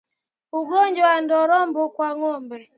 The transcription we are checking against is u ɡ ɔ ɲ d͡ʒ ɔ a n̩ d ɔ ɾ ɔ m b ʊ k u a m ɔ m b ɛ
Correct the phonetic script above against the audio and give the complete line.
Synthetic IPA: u ɡ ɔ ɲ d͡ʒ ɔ a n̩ d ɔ ɾ ɔ m b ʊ k w a ŋ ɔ m b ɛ